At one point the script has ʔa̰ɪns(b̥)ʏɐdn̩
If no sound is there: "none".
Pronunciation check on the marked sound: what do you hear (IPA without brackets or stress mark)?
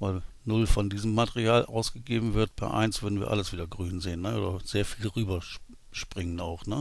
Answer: v̥